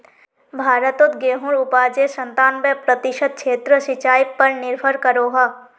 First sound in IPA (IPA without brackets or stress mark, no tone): bʱ